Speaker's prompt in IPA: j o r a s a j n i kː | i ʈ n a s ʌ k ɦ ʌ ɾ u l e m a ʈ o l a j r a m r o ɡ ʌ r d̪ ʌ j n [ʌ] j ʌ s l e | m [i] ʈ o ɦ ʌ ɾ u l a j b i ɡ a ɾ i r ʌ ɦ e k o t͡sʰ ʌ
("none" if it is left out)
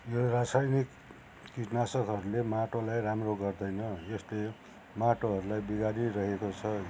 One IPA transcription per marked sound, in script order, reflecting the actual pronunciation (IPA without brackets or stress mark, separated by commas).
ʌ, a